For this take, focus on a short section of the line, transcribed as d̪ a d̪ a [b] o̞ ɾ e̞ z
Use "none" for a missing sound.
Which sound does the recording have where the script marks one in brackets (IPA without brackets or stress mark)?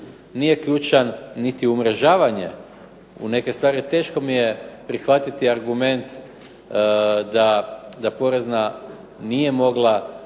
p